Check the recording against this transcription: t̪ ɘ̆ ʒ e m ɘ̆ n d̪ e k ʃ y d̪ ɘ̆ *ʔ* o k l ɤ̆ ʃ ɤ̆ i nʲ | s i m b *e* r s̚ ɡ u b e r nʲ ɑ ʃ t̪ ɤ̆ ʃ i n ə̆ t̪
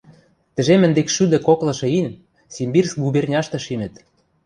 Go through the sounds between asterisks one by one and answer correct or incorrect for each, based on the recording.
incorrect: k, incorrect: i

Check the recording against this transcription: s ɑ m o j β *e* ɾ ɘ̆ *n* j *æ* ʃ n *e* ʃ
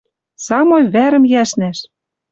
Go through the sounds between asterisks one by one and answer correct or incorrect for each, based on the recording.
incorrect: æ, incorrect: m, correct, incorrect: æ

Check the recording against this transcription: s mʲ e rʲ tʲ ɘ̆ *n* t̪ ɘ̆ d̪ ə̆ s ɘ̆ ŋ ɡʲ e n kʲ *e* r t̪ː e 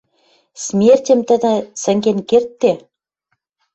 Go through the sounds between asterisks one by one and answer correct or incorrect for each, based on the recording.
incorrect: m, correct

